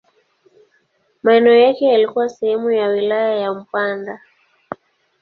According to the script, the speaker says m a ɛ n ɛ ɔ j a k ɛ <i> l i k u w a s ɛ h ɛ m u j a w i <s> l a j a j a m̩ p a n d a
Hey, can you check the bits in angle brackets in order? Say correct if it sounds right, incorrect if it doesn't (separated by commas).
incorrect, incorrect